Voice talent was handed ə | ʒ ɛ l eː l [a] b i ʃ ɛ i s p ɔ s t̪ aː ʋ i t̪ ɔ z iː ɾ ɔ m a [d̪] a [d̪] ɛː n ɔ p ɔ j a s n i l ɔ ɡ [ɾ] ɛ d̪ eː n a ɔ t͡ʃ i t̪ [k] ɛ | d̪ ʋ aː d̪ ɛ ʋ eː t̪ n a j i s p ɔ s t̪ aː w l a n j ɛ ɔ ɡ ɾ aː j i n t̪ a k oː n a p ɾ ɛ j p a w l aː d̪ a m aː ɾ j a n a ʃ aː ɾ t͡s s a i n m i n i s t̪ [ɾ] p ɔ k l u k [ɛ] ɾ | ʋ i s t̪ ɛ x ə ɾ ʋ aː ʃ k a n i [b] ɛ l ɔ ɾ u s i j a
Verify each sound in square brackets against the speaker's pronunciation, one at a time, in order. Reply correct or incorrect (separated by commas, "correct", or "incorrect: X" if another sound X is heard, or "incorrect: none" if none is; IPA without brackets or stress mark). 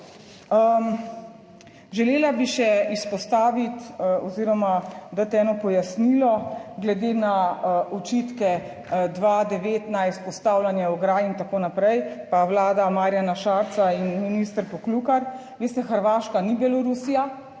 correct, correct, incorrect: t̪, incorrect: l, correct, correct, incorrect: a, correct